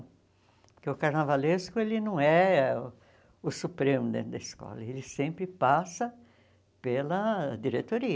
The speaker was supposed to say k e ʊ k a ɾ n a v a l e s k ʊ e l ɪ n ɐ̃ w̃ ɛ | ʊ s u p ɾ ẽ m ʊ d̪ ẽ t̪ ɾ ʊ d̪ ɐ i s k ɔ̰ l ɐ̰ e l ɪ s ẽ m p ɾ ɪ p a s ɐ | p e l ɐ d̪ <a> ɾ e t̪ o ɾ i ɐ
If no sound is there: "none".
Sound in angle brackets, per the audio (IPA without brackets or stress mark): i